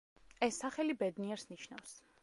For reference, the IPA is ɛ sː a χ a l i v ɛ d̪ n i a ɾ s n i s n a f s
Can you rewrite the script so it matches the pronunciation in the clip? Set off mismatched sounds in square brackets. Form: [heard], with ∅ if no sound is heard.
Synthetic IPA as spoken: ɛ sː a χ [ɛ] l i [b] ɛ d̪ n i [ɛ] ɾ s n i [ʃ] n a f s